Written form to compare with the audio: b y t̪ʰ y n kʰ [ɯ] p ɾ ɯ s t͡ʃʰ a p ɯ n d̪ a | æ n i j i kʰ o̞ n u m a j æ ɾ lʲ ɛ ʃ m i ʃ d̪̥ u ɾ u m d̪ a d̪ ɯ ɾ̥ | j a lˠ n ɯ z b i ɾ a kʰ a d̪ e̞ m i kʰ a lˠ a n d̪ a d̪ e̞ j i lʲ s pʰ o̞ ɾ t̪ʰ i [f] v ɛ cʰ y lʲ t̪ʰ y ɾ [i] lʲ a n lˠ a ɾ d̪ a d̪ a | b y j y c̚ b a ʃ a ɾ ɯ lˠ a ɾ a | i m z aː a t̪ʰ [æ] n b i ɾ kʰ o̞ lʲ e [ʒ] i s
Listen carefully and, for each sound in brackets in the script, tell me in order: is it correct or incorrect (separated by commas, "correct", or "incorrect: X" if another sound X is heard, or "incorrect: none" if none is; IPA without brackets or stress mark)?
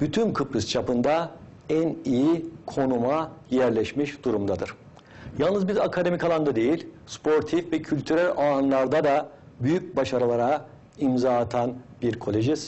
correct, correct, incorrect: æ, incorrect: a, correct